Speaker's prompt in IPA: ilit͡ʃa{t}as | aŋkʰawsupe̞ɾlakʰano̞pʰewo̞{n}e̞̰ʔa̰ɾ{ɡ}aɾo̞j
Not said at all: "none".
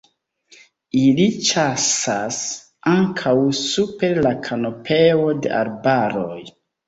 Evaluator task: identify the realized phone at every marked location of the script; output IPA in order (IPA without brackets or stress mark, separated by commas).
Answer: s, d, b